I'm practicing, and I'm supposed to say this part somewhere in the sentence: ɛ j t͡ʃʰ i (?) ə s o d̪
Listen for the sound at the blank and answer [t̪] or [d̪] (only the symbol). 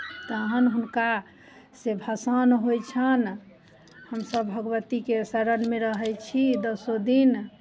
d̪